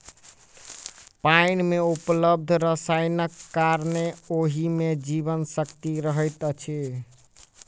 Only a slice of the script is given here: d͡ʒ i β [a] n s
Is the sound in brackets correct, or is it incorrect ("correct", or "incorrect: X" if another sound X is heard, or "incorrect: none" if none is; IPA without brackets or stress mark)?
incorrect: ə